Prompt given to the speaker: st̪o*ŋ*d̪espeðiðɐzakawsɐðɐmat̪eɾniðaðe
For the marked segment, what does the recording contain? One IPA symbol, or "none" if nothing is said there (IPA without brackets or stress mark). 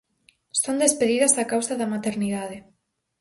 n